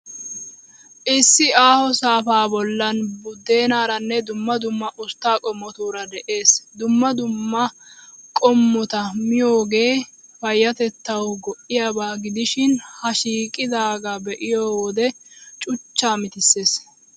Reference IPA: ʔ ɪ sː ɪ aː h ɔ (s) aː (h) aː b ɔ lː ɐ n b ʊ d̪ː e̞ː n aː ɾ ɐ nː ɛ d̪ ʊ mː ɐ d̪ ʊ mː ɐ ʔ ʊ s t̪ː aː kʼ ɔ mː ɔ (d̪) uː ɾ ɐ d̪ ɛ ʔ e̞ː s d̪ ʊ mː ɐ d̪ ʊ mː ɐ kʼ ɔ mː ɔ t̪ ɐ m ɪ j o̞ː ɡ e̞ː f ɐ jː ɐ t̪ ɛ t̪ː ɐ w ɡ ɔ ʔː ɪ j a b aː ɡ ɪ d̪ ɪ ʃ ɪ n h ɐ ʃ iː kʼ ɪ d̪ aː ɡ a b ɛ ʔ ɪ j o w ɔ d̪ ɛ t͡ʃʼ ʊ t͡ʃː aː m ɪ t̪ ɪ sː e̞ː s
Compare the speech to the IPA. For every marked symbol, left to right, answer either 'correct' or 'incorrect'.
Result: correct, incorrect, incorrect

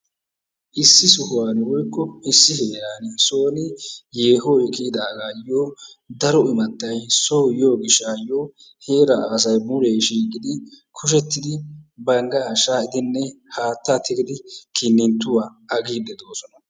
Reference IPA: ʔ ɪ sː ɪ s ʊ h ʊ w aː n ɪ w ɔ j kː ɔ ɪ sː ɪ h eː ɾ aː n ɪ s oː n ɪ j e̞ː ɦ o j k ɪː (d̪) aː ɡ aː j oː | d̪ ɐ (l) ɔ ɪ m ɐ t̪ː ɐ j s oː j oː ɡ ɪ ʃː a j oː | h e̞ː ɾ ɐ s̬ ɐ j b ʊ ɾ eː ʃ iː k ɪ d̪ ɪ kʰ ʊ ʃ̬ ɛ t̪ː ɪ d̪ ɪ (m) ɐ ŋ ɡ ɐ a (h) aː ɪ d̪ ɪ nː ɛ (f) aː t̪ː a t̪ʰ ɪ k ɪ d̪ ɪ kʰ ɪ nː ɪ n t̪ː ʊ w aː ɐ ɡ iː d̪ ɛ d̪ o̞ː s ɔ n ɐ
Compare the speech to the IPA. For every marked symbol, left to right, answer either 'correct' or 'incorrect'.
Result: correct, incorrect, incorrect, incorrect, incorrect

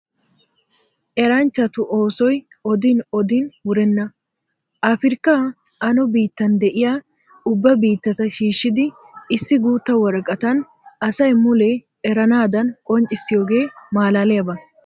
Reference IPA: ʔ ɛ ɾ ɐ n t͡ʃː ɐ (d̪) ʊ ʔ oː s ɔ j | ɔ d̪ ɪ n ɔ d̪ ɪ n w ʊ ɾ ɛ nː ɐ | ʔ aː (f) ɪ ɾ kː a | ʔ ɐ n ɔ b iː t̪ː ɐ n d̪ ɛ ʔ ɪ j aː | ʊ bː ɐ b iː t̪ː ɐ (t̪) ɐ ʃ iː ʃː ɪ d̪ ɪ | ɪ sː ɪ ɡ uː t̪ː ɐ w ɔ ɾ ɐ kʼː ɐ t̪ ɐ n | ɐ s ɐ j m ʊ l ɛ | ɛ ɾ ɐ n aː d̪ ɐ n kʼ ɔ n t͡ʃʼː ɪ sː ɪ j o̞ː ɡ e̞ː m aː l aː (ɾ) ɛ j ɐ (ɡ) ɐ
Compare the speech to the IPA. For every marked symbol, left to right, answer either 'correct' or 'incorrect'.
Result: incorrect, correct, correct, incorrect, incorrect

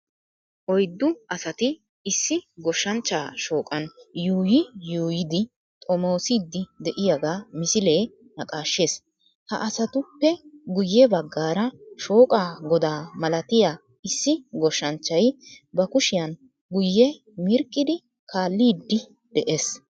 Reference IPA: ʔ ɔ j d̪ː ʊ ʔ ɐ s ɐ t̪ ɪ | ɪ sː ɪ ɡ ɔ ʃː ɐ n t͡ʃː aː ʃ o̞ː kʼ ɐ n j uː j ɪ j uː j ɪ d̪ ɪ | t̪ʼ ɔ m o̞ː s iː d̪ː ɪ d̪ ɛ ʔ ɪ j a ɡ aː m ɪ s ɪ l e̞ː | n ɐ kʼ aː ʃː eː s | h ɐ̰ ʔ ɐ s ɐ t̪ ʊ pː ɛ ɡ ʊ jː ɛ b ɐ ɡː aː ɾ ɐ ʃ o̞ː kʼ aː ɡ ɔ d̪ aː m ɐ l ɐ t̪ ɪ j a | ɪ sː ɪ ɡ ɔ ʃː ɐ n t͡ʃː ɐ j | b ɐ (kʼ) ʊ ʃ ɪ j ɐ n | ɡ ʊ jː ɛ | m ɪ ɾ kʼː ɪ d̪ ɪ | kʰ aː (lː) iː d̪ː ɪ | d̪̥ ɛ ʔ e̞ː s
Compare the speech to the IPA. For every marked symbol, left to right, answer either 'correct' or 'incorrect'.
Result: incorrect, correct

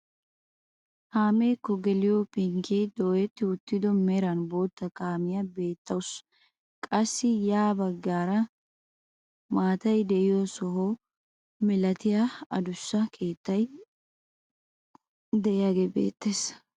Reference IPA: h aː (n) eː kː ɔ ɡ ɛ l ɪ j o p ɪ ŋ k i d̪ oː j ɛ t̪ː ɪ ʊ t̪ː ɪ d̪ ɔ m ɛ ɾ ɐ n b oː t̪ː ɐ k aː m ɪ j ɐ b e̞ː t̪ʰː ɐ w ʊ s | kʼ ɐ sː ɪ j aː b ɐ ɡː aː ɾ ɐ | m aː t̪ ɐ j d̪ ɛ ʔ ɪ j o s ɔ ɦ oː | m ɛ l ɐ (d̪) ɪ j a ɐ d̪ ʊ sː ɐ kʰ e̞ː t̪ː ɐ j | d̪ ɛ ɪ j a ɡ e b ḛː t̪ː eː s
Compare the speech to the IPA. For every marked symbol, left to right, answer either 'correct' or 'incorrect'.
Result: incorrect, incorrect

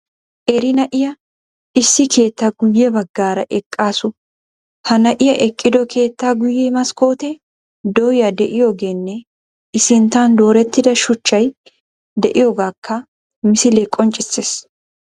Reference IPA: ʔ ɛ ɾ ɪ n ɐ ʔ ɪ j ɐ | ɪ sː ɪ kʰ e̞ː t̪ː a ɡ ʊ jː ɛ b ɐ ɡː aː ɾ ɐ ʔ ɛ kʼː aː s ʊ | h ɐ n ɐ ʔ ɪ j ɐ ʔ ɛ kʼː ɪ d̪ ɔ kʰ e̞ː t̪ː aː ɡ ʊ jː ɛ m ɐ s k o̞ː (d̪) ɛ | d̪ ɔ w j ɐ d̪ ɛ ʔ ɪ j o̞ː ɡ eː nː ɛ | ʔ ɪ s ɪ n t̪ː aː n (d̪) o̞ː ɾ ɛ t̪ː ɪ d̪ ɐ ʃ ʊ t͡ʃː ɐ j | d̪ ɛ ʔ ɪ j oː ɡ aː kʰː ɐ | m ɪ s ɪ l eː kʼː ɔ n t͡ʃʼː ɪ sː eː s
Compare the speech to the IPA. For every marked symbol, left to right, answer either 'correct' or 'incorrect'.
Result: incorrect, correct

